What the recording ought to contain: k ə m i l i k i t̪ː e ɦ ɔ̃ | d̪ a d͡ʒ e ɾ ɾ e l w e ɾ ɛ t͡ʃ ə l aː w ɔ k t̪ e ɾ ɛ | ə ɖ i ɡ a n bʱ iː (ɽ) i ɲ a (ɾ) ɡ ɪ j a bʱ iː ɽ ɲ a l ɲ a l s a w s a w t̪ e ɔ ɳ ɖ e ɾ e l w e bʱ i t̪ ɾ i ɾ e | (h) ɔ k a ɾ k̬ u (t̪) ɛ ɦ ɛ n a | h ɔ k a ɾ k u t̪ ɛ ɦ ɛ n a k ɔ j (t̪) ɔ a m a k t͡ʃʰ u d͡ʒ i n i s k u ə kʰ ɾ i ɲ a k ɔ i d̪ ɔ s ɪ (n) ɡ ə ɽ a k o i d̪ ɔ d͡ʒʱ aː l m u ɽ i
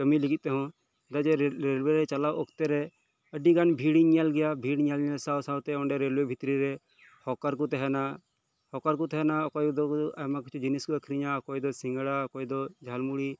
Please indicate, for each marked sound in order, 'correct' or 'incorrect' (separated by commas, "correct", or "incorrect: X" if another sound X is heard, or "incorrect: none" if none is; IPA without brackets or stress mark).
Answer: correct, incorrect: l, correct, correct, incorrect: d̪, incorrect: ŋ